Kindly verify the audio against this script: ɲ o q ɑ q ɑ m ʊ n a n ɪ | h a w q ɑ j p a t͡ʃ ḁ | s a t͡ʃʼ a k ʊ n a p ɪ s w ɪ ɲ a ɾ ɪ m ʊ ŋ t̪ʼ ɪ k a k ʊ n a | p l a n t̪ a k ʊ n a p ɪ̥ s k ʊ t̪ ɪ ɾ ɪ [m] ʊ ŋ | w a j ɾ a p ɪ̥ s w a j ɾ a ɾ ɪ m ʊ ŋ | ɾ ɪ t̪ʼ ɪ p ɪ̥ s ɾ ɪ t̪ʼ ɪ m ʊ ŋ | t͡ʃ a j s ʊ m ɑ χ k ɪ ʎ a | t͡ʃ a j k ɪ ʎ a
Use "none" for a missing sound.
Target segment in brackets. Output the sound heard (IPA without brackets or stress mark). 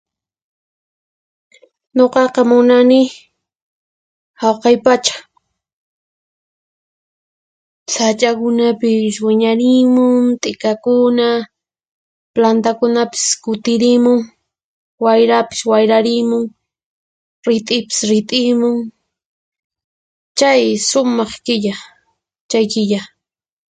m